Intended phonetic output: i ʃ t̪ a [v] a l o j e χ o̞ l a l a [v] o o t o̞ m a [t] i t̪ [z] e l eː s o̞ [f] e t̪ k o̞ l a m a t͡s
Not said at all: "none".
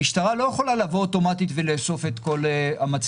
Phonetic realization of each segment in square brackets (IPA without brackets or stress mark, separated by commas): ʁ, v, t, v, f